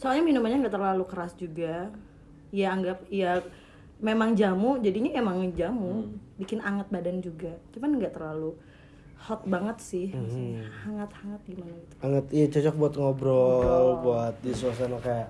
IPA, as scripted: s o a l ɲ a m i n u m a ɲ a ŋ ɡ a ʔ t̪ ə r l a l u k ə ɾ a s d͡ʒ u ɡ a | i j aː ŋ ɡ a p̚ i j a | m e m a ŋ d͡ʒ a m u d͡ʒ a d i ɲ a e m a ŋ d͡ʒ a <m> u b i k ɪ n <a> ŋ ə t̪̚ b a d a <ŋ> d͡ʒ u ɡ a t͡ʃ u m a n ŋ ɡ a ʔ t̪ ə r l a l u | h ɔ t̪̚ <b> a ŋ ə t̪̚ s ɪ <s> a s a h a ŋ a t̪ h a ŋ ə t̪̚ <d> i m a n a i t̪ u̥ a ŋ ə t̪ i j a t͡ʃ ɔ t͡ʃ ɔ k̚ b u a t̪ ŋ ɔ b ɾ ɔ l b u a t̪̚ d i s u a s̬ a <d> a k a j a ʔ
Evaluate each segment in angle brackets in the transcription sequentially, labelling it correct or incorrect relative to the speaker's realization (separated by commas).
correct, correct, incorrect, correct, incorrect, incorrect, incorrect